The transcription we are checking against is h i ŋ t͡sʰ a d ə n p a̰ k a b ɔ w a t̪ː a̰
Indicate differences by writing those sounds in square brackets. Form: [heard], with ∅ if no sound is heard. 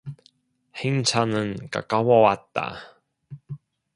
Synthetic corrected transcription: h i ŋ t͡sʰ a [n] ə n [k] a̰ k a [w] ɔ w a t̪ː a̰